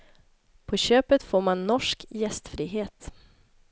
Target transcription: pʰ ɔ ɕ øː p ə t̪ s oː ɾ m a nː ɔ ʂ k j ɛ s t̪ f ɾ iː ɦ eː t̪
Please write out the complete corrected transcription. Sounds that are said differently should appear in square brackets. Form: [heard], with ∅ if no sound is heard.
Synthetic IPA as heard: pʰ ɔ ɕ øː p ə t̪ [f] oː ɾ m a nː ɔ ʂ k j ɛ s t̪ f ɾ iː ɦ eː t̪